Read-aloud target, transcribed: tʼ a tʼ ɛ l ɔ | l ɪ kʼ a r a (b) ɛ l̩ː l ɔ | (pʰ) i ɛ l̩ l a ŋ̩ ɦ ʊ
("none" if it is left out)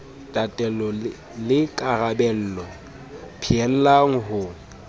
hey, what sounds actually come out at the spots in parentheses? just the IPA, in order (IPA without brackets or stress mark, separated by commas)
b, pʰ